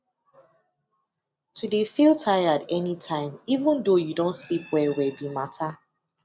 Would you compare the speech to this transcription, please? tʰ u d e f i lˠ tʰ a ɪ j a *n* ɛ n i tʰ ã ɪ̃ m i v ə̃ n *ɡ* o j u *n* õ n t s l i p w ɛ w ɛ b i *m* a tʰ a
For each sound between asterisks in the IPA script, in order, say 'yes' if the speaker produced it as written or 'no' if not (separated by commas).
no, no, no, yes